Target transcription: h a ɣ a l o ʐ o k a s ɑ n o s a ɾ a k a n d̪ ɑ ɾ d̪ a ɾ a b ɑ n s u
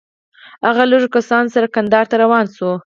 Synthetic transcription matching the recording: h a ɣ a l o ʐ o k a s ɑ n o s a ɾ a k a n d̪ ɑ ɾ t̪ a ɾ a w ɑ n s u